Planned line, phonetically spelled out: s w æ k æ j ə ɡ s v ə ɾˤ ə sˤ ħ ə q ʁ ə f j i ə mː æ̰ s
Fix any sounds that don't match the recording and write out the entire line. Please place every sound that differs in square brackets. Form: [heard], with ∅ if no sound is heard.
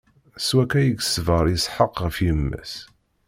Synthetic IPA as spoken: s w æ k æ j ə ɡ s v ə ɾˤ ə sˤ ħ ə q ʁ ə f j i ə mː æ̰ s